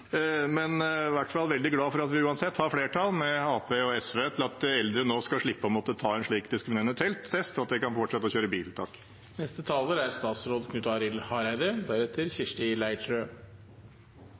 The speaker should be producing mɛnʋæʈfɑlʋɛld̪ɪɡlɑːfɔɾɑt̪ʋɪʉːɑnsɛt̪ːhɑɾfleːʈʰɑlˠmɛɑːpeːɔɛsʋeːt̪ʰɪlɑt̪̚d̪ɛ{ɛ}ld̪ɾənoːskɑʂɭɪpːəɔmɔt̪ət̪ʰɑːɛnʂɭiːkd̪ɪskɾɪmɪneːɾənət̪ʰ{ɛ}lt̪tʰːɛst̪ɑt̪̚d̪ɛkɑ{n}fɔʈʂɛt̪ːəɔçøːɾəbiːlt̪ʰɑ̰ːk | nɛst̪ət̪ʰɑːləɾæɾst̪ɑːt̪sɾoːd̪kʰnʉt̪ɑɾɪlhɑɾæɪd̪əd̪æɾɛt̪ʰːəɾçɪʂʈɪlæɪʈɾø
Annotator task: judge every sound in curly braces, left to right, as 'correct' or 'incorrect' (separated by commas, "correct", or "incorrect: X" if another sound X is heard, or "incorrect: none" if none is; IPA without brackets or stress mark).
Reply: correct, correct, correct